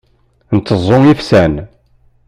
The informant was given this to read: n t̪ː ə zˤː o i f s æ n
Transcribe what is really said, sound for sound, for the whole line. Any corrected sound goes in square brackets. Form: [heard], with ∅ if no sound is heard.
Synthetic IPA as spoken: n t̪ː ə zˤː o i f s æ n

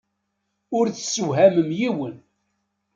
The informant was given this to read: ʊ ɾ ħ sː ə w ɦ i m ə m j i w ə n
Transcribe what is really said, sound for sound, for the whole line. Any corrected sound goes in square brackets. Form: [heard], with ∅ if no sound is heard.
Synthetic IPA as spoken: ʊ ɾ [θ] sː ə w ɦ [æ] m ə m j i w ə n

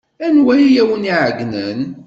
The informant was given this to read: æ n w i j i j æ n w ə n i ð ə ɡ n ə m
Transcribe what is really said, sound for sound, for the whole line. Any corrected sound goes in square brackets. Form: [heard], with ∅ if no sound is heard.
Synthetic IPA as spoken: æ n w [æ] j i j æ [∅] w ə n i [ʕ] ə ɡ n ə [n]

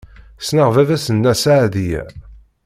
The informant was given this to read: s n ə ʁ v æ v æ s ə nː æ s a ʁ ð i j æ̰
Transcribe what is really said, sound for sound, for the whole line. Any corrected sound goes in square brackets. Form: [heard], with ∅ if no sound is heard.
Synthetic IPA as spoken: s n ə ʁ v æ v æ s ə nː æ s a [ʕ] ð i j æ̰

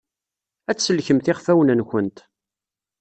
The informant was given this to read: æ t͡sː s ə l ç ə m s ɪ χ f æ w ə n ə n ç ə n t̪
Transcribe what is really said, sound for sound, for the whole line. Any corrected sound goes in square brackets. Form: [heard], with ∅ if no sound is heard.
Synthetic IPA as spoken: æ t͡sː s ə l ç ə m [θ] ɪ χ f æ w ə n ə n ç ə n t̪

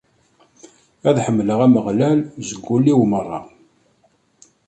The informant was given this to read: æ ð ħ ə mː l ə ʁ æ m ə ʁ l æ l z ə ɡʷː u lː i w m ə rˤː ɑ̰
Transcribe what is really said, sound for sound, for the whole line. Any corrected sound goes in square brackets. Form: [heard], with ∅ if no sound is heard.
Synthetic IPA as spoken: æ ð ħ ə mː l ə ʁ æ m ə ʁ l æ l z ə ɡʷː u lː i w m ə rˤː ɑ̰

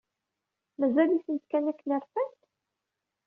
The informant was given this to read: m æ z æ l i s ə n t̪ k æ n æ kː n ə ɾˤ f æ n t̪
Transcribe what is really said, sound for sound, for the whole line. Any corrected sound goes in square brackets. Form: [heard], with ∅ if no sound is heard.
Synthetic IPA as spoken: m æ z æ l i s ə n t̪ k æ n æ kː n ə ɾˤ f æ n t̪

